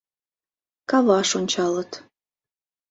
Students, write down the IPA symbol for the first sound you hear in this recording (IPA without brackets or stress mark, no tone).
k